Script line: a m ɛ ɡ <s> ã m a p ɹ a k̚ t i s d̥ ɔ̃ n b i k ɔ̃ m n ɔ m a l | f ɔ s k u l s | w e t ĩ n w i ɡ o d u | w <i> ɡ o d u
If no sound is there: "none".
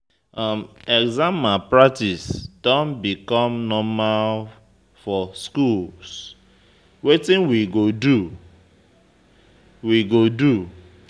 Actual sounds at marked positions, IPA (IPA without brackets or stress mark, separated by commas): z, i